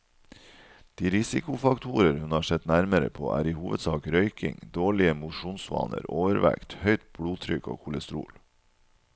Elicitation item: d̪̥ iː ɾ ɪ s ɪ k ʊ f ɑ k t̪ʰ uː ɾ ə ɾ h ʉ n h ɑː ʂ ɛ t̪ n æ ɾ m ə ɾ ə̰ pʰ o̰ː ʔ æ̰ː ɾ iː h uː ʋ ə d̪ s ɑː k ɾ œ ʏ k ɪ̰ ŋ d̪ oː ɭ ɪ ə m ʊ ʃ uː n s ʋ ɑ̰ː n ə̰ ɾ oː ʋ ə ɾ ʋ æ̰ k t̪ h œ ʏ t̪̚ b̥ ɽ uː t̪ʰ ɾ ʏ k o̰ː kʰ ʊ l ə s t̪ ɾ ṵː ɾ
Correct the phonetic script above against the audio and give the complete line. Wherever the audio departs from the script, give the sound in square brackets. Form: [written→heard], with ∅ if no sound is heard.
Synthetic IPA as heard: d̪̥ iː ɾ ɪ s ɪ k ʊ f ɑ k t̪ʰ uː ɾ ə ɾ h ʉ n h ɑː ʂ ɛ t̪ n æ ɾ m ə ɾ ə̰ pʰ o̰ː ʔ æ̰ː ɾ iː h uː ʋ ə d̪ s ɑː k ɾ œ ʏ k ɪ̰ ŋ d̪ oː ɭ ɪ ə m ʊ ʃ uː n s ʋ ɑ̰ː n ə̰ ɾ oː ʋ ə ɾ ʋ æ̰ k t̪ h œ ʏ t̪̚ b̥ ɽ uː t̪ʰ ɾ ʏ k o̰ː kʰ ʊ l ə s t̪ ɾ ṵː [ɾ→l]